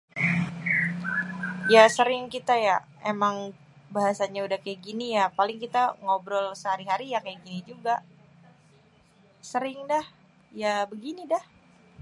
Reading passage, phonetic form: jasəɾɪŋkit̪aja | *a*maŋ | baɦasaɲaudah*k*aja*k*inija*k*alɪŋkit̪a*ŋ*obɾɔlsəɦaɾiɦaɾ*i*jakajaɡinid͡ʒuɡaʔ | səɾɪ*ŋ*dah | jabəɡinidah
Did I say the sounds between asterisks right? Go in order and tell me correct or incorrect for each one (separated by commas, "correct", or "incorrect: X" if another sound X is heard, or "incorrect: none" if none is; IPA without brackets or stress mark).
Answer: incorrect: e, correct, incorrect: ɡ, incorrect: p, correct, correct, correct